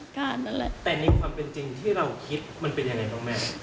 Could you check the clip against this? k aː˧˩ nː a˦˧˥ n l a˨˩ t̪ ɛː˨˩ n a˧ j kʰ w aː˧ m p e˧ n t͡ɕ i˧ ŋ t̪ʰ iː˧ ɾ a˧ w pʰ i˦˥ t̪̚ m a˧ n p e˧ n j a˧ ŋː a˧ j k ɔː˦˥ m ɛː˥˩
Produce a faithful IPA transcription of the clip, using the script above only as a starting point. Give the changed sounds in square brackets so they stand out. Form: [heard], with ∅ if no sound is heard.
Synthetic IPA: k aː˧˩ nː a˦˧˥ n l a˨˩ t̪ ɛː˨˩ n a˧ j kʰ w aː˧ m p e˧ n t͡ɕ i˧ ŋ t̪ʰ [iː˥˩] ɾ a˧ w [kʰ] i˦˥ t̪̚ m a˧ n p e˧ n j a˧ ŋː a˧ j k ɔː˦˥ m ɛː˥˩